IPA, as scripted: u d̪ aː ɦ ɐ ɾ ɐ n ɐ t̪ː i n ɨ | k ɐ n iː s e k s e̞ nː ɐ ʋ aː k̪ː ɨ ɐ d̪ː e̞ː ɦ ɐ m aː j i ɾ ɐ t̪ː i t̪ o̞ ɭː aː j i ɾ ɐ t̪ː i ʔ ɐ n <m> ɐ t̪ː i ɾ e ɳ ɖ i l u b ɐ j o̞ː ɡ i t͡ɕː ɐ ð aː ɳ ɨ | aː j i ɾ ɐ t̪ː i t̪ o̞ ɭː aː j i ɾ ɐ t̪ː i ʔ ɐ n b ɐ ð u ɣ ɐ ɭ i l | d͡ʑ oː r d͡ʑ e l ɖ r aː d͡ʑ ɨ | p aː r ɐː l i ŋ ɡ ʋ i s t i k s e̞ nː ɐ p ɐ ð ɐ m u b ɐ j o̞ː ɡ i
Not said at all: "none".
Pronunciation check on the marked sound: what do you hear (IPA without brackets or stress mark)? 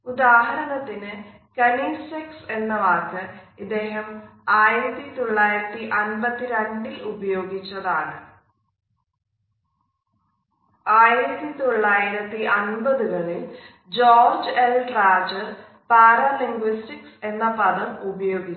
b